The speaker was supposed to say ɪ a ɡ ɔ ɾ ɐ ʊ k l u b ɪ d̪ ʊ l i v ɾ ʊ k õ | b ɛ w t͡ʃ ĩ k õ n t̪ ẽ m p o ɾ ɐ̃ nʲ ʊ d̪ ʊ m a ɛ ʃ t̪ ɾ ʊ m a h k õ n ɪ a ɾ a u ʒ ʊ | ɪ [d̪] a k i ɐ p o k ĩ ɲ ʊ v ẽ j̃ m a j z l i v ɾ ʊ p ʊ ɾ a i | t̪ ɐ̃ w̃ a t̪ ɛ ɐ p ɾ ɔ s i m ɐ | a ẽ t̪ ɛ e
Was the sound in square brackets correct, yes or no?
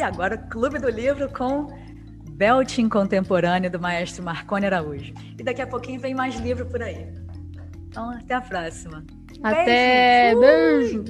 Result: yes